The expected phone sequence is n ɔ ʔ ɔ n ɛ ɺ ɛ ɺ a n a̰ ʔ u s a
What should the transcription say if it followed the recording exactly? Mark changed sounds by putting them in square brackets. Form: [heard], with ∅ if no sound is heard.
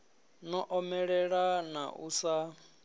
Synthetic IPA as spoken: n ɔ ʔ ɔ [m] ɛ ɺ ɛ ɺ a n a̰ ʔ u s a

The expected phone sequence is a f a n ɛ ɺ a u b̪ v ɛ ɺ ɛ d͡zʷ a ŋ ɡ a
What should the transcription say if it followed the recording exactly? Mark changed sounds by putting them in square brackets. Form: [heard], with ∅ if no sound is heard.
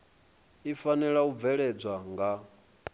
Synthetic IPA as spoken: [i] f a n ɛ ɺ a u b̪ v ɛ ɺ ɛ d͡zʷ a ŋ ɡ a

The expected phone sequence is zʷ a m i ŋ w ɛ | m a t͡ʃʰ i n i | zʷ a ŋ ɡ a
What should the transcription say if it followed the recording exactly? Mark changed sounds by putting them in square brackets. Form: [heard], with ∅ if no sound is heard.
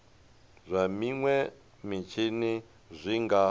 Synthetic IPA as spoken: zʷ a m i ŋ w ɛ | m [i] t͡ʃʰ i n i | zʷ [i] ŋ ɡ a

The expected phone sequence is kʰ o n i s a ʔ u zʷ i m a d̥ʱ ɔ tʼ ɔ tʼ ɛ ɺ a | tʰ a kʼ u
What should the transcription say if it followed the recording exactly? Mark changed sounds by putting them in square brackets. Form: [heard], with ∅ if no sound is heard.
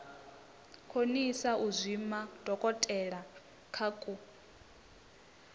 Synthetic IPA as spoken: kʰ o n i s a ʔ u zʷ i m a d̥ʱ ɔ [kʼ] ɔ tʼ ɛ ɺ a | [kʰ] a kʼ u

